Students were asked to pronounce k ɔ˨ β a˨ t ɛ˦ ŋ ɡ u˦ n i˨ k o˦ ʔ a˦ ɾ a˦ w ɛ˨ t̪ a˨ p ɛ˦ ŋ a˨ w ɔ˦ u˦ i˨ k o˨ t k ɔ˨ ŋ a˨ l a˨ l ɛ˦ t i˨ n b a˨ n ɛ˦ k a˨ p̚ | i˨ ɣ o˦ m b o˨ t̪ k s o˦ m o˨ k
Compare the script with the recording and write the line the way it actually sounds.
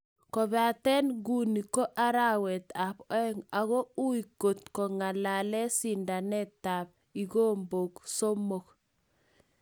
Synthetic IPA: k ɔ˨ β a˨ t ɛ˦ n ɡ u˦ n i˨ k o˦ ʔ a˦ ɾ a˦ w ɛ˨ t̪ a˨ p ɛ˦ ŋ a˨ ɣ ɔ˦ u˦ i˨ k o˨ t k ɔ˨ ŋ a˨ l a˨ l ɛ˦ s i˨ n d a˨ n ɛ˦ t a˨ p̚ | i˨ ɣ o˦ m b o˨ k s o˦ m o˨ k

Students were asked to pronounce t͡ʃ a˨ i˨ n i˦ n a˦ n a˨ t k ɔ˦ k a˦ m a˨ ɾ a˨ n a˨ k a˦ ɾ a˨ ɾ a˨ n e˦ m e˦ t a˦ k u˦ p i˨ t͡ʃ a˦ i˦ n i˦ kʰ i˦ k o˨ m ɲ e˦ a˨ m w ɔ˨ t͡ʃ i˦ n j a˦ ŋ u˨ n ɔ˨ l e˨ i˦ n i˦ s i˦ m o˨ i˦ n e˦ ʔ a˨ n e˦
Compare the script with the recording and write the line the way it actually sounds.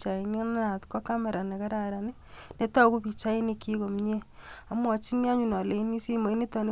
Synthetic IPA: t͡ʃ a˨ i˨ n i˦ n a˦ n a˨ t k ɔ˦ k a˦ m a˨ ɾ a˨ n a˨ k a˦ ɾ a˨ ɾ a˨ n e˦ n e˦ t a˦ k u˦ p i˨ t͡ʃ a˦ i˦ n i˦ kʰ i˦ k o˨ m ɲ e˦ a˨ m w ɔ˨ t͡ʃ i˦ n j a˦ ɲ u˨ n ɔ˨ l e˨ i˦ n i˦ s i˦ m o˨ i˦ n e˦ t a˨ n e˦

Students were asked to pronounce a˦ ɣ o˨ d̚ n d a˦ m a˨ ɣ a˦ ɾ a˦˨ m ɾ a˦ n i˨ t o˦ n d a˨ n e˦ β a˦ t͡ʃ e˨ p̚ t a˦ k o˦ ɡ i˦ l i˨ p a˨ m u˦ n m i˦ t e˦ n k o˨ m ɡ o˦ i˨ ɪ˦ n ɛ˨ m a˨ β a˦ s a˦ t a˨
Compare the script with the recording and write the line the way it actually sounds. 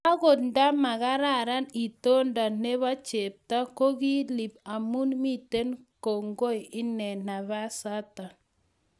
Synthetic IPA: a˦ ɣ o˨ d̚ n d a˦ m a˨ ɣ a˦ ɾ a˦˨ ɾ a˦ n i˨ t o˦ n d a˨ n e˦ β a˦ t͡ʃ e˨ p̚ t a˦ k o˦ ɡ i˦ l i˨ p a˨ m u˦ n m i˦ t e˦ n k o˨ ŋ ɡ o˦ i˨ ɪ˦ n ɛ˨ n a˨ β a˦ s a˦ t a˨

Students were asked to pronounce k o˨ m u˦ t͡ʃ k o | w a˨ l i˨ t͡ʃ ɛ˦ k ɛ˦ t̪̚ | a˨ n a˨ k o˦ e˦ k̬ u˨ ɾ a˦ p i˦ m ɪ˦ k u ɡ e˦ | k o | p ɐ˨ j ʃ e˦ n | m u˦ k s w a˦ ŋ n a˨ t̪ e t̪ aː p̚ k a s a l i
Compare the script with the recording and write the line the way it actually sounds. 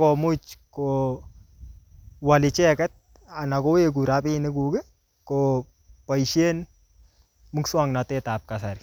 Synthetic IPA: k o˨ m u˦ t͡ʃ k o | w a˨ l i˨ t͡ʃ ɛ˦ k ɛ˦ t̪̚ | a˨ n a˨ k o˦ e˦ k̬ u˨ ɾ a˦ p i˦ n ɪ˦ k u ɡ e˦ | k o | p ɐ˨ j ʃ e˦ n | m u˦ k s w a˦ ŋ n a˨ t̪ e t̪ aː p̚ k a s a ɾ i

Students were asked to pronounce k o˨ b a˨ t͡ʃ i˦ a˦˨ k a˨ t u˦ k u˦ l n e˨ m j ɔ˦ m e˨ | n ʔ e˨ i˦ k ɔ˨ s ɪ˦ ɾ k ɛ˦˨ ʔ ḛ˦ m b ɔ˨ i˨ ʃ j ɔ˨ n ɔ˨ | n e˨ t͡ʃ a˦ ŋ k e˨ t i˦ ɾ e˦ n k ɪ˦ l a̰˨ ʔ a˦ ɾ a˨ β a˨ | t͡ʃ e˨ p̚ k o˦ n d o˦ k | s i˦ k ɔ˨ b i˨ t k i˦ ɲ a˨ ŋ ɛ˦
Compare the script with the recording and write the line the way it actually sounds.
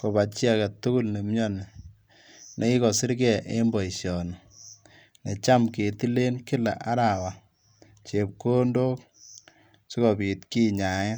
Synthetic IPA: k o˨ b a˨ t͡ʃ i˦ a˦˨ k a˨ t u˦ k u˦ l n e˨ m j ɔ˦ n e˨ | n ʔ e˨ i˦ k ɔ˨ s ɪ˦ ɾ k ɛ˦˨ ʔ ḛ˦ m b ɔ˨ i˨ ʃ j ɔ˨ n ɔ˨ | n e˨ t͡ʃ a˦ m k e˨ t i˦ l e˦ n k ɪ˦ l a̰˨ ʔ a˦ ɾ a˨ w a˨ | t͡ʃ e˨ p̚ k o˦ n d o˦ k | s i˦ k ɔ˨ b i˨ t k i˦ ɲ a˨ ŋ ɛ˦

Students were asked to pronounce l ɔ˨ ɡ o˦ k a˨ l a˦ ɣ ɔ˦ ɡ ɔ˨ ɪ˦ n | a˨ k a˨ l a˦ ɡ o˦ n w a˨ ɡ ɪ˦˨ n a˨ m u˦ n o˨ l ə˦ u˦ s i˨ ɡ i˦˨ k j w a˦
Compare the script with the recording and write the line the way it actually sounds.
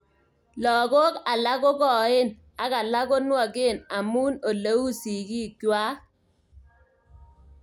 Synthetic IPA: l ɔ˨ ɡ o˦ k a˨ l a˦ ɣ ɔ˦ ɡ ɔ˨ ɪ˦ n | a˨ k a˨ l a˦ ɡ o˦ n w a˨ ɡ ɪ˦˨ n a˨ m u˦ n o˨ l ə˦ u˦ s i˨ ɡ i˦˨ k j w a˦

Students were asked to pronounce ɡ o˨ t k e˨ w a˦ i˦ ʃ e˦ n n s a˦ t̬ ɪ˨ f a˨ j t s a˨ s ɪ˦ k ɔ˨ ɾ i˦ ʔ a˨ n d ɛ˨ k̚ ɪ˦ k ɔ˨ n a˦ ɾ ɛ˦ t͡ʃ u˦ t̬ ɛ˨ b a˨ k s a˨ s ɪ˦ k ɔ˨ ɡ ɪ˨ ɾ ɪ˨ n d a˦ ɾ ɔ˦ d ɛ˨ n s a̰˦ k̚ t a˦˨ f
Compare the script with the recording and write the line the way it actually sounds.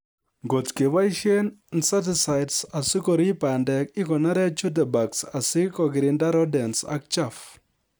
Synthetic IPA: ɡ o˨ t k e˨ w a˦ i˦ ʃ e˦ n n s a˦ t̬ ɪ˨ s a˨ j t s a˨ s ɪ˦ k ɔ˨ ɾ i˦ p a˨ n d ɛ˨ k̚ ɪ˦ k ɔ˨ n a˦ ɾ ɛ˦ t͡ʃ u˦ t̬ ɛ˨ b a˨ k s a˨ s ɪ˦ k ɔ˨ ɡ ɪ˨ ɾ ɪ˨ n d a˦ ɾ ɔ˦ d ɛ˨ n s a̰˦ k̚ t͡ʃ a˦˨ f

